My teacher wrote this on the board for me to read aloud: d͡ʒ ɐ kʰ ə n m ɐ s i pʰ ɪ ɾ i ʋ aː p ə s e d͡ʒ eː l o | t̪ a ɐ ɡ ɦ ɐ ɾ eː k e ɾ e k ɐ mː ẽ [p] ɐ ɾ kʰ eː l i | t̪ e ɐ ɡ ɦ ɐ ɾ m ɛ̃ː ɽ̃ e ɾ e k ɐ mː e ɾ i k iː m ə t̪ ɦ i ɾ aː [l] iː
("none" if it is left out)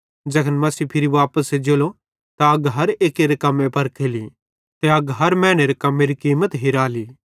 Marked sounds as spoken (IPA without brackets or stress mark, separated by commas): p, l